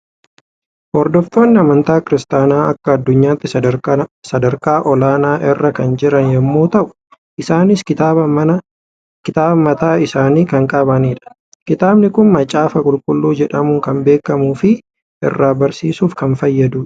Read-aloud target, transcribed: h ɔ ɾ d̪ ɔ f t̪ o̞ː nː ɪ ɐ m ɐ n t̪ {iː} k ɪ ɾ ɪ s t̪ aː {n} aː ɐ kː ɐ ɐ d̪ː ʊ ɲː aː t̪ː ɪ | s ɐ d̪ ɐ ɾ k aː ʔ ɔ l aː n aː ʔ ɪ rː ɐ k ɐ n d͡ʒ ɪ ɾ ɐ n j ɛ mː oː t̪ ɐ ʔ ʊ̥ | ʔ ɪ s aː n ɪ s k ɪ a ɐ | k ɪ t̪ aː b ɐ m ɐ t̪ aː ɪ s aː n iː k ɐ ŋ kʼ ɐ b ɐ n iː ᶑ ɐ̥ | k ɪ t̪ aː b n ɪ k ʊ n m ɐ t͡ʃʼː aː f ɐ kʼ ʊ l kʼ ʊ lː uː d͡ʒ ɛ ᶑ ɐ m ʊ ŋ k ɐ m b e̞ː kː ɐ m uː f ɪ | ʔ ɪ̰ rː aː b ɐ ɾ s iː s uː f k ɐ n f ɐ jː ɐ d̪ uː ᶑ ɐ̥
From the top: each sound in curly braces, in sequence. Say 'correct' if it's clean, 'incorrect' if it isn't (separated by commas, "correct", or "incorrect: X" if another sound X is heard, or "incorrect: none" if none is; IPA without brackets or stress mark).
incorrect: aː, correct